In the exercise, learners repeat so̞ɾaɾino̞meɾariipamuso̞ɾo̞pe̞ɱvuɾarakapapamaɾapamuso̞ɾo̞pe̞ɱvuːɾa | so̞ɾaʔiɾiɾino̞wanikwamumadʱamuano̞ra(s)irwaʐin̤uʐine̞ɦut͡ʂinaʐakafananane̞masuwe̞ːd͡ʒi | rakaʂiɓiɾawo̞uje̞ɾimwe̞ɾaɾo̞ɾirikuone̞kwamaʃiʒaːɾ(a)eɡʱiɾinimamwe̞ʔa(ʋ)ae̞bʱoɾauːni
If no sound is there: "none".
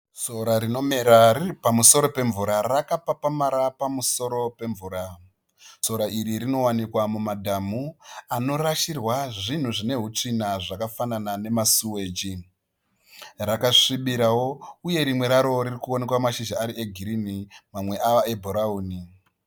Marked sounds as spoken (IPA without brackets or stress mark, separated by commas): ʃ, i, ʋ